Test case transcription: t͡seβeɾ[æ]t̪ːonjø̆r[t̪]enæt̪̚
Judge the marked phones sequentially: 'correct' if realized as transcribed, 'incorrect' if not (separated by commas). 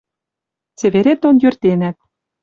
incorrect, correct